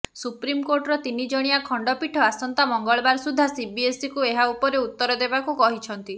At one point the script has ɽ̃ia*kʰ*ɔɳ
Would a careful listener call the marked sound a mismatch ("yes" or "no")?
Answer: no